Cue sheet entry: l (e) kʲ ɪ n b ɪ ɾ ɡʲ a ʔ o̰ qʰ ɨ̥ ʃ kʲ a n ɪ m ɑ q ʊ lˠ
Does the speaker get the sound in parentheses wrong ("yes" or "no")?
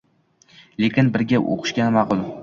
no